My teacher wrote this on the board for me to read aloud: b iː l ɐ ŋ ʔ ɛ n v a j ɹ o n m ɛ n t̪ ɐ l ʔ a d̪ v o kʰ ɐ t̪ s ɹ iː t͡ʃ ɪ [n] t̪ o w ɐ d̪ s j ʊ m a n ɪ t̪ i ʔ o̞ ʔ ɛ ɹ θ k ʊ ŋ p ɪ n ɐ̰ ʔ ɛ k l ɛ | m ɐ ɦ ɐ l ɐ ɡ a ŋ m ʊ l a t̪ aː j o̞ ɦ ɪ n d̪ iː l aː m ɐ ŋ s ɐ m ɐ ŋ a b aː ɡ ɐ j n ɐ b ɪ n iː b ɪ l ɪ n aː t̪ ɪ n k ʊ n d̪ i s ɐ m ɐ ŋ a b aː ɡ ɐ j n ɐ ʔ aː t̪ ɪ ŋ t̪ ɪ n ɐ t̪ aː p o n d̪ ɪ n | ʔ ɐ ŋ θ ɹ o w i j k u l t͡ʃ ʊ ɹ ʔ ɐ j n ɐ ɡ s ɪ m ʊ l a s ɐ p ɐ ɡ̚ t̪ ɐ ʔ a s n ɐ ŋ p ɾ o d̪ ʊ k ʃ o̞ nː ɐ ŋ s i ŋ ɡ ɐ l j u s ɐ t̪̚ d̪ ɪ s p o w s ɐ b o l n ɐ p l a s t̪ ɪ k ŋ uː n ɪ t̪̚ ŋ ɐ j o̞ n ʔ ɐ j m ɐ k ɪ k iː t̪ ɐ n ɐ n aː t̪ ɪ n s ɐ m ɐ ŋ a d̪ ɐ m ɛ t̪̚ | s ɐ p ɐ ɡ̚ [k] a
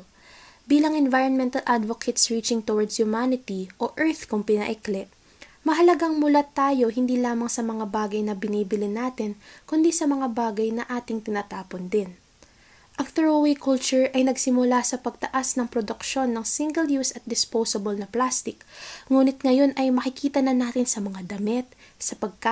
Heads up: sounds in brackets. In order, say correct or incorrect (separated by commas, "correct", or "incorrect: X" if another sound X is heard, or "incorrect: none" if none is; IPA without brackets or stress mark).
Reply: incorrect: ŋ, correct